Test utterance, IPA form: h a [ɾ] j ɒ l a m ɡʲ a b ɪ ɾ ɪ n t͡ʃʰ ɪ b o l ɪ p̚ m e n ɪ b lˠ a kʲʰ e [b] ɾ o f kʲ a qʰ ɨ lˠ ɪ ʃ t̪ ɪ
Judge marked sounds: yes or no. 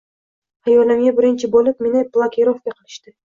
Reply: no, no

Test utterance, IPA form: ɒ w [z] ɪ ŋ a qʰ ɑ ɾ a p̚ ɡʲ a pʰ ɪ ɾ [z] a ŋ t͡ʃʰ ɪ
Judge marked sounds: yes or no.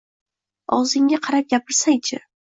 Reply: yes, no

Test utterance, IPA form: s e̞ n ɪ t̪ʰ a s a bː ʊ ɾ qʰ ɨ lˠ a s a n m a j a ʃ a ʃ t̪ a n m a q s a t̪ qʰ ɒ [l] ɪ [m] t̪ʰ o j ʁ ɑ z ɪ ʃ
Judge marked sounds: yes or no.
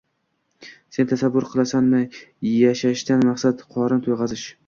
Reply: no, no

